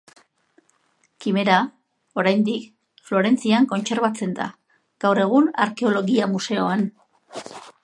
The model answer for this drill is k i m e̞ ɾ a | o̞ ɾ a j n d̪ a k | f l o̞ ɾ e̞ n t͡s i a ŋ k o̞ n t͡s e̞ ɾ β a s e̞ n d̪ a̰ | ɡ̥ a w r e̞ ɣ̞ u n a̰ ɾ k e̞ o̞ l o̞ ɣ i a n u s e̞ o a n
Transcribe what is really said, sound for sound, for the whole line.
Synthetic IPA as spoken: k i m e̞ ɾ a | o̞ ɾ a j n d̪ i k | f l o̞ ɾ e̞ n t͡s i a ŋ k o̞ n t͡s e̞ ɾ β a t͡s e̞ n d̪ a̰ | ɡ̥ a w r e̞ ɣ̞ u n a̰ ɾ k e̞ o̞ l o̞ ɣ i a m u s e̞ o a n